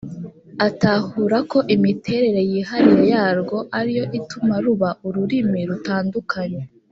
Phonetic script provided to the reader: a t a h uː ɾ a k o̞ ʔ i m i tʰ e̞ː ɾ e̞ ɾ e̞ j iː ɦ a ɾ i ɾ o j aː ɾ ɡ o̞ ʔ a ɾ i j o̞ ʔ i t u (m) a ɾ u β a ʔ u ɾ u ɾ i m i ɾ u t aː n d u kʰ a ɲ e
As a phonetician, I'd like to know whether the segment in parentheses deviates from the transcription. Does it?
no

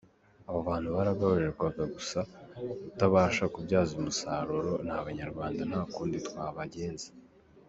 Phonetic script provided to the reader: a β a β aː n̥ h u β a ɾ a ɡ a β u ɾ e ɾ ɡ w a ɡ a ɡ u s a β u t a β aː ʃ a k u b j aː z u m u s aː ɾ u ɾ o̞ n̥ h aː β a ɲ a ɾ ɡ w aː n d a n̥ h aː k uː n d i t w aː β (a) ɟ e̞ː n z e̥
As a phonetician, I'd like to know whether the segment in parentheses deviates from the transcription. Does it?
no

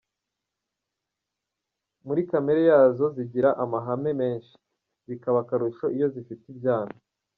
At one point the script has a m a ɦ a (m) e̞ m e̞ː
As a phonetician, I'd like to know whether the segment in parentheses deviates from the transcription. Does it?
no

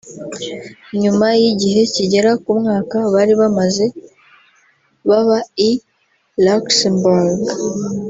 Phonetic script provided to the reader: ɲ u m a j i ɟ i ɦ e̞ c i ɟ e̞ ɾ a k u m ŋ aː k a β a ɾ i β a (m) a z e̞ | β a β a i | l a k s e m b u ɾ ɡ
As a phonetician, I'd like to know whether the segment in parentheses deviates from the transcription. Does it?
no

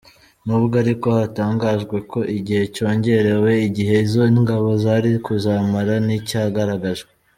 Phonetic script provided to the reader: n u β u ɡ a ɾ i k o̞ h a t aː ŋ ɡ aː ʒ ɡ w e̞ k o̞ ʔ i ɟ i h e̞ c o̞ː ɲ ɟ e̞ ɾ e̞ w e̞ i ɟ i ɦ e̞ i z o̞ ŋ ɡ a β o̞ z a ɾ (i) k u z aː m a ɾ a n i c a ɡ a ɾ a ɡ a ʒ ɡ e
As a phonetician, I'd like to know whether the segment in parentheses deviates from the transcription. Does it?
no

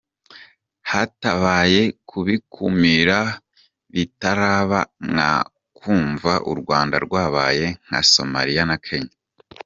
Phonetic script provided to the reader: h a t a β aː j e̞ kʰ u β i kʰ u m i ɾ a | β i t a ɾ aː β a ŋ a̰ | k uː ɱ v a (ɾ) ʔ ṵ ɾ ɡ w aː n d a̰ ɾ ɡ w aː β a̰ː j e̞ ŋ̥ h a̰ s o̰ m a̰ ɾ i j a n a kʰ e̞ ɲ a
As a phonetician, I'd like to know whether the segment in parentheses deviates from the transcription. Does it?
yes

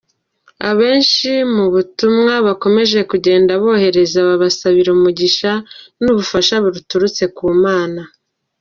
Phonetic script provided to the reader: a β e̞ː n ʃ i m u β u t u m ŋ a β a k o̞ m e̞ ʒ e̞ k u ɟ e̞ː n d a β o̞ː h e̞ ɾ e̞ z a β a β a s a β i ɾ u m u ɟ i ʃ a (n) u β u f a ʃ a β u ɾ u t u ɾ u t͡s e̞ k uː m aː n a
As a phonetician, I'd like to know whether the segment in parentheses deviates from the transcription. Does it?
no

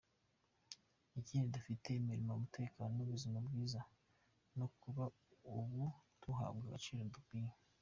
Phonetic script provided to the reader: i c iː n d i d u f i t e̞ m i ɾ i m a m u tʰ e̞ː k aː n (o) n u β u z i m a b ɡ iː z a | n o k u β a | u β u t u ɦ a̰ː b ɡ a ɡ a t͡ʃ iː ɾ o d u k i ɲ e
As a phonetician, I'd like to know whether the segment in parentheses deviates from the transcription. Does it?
no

